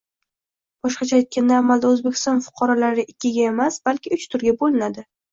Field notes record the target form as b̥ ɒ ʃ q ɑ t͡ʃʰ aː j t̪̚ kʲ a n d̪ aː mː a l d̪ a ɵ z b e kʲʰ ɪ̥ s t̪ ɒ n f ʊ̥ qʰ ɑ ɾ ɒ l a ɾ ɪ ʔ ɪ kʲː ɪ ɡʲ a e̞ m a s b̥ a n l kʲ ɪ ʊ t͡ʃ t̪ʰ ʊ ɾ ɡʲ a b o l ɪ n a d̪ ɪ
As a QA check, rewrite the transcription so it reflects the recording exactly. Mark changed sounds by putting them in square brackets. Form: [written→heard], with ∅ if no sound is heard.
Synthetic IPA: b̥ ɒ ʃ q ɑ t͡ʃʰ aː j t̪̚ kʲ a n d̪ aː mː a l d̪ a ɵ z b e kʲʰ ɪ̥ s t̪ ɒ n f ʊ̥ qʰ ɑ ɾ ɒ l a ɾ ɪ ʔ ɪ kʲː ɪ ɡʲ a e̞ m a s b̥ a [n→∅] l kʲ ɪ ʊ t͡ʃ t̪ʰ ʊ ɾ ɡʲ a b o l ɪ n a d̪ ɪ